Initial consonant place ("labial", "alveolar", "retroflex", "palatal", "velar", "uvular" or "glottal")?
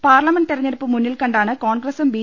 labial